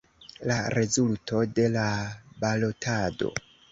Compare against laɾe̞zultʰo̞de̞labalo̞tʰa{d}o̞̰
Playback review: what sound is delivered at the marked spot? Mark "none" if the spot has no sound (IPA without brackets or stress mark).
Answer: d